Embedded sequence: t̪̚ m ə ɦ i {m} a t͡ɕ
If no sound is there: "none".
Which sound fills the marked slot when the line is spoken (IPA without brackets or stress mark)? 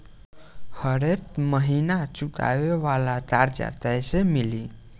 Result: n